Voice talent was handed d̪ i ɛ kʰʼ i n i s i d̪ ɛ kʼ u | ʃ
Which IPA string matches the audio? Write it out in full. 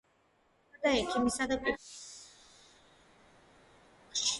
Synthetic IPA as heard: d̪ a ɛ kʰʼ i m i s a d̪ a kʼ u | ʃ

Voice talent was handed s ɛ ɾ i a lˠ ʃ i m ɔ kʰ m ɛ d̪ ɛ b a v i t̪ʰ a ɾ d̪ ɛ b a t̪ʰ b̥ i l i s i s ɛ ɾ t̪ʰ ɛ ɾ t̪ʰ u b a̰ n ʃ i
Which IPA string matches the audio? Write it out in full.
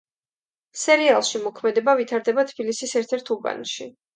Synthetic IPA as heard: s ɛ ɾ i a lˠ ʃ i m ɔ kʰ m ɛ d̪ ɛ b a v i t̪ʰ a ɾ d̪ ɛ b a t̪ʰ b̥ i l i s i s ɛ ɾ t̪ʰ ɛ ɾ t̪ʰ u b a̰ n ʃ i

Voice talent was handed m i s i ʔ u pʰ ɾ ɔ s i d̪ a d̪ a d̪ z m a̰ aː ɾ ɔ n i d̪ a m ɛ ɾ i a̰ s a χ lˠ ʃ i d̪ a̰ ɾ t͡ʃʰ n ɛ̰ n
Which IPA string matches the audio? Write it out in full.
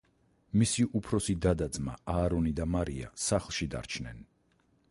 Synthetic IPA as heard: m i s i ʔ u pʰ ɾ ɔ s i d̪ a d̪ a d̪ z m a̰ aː ɾ ɔ n i d̪ a m a ɾ i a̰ s a χ lˠ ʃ i d̪ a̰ ɾ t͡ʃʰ n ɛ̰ n

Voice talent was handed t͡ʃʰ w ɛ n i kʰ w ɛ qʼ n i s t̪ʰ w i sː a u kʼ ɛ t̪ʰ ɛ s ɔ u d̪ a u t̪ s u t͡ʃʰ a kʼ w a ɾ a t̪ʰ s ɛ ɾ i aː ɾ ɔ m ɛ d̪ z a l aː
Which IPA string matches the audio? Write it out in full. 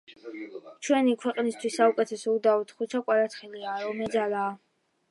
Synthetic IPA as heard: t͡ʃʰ w ɛ n i kʰ w ɛ qʼ n i s t̪ʰ w i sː a u kʼ ɛ t̪ʰ ɛ s ɔ u d̪ a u t̪ χ u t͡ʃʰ a kʼ w a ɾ a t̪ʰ χ ɛ l i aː ɾ ɔ m ɛ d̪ z a l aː

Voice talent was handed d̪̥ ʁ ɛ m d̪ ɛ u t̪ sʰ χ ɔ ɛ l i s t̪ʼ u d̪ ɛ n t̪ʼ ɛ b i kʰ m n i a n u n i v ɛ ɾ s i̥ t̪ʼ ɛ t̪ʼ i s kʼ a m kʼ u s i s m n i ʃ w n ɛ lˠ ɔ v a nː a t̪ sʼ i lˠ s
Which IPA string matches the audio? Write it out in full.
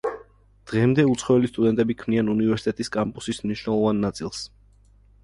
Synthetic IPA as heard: d̪̥ ʁ ɛ m d̪ ɛ u t̪ sʰ χ ɔ ɛ l i s t̪ʼ u d̪ ɛ n t̪ʼ ɛ b i kʰ m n i a n u n i v ɛ ɾ s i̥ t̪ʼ ɛ t̪ʼ i s kʼ a m pʼ u s i s m n i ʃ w n ɛ lˠ ɔ v a nː a t̪ sʼ i lˠ s

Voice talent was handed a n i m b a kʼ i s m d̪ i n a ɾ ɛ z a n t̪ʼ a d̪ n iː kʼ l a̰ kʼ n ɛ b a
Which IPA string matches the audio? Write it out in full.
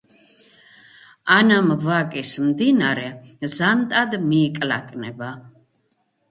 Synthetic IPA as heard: a n a m v a kʼ i s m d̪ i n a ɾ ɛ z a n t̪ʼ a d̪ m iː kʼ l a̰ kʼ n ɛ b a

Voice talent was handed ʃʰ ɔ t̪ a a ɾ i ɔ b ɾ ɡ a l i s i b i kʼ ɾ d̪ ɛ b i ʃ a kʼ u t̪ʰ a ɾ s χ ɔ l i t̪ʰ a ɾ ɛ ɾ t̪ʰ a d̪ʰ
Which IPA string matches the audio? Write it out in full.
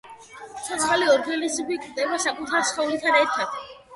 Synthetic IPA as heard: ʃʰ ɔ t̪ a a l i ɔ ɾ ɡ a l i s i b i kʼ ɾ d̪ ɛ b a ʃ a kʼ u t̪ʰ a ɾ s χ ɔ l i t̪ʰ a ɾ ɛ ɾ t̪ʰ a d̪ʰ

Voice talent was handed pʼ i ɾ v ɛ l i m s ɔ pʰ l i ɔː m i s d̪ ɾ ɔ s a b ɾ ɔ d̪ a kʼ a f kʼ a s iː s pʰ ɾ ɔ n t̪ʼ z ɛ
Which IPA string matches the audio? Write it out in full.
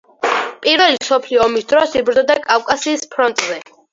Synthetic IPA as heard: pʼ i ɾ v ɛ l i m s ɔ pʰ l i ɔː m i s d̪ ɾ ɔ s i b ɾ ɔ d̪ a kʼ a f kʼ a s iː s pʰ ɾ ɔ n t̪ʼ z ɛ

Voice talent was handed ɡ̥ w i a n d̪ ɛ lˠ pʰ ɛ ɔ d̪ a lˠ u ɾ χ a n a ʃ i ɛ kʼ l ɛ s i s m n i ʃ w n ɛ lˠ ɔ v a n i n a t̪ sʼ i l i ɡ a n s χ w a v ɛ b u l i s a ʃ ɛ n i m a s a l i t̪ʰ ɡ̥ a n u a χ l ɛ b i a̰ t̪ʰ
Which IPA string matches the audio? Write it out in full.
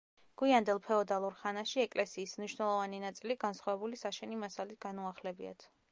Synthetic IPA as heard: ɡ̥ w i a n d̪ ɛ lˠ pʰ ɛ ɔ d̪ a lˠ u ɾ χ a n a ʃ i ɛ kʼ l ɛ s iː s m n i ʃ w n ɛ lˠ ɔ v a n i n a t̪ sʼ i l i ɡ a n s χ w a v ɛ b u l i s a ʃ ɛ n i m a s a l i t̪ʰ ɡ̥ a n u a χ l ɛ b i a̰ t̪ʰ

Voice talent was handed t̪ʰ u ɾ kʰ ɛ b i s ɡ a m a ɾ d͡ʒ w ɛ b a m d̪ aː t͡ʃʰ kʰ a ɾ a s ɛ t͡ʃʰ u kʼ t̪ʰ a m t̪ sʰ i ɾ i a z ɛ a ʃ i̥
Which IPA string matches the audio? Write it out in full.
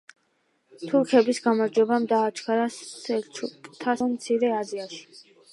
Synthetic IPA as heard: t̪ʰ u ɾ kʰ ɛ b i s ɡ a m a ɾ d͡ʒ w ɛ b a m d̪ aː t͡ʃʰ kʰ a ɾ a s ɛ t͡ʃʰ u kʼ t̪ʰ a m t̪ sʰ i ɾ ɛ a z i a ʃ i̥

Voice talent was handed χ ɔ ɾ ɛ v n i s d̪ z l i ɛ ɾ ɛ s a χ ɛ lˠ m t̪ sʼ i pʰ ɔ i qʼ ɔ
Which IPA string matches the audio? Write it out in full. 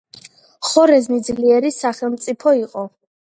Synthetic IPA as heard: χ ɔ ɾ ɛ z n i d̪ z l i ɛ ɾ i s a χ ɛ lˠ m t̪ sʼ i pʰ ɔ i qʼ ɔ

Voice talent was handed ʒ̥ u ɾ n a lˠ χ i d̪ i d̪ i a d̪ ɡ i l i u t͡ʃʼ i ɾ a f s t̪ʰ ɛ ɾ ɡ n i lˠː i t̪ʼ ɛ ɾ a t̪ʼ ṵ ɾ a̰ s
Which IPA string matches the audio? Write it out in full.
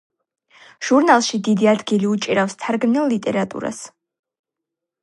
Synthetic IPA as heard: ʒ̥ u ɾ n a lˠ ʃ i d̪ i d̪ i a d̪ ɡ i l i u t͡ʃʼ i ɾ a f s t̪ʰ a ɾ ɡ n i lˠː i t̪ʼ ɛ ɾ a t̪ʼ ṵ ɾ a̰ s

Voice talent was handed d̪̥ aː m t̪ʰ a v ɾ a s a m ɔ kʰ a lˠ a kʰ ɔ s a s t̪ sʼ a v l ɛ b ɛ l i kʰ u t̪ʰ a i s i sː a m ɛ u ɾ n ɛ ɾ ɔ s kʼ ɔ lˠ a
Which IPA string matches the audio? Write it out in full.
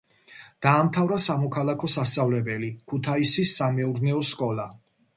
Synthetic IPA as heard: d̪̥ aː m t̪ʰ a v ɾ a s a m ɔ kʰ a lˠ a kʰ ɔ s a s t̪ sʼ a v l ɛ b ɛ l i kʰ u t̪ʰ a i s i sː a m ɛ u ɾ n ɛ ɔ s kʼ ɔ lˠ a

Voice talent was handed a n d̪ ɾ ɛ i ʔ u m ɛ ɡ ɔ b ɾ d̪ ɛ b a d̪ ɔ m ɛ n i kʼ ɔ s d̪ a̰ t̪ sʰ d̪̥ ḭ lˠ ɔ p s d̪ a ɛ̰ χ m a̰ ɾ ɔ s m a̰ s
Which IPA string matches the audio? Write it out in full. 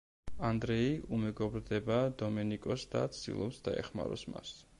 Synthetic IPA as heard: a n d̪ ɾ ɛ i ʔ u m ɛ ɡ ɔ b ɾ d̪ ɛ b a d̪ ɔ m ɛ n i kʼ ɔ s d̪ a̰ t̪ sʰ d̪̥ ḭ lˠ ɔ p s d̪ a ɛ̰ χ m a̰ ɾ ɔ s m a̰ s

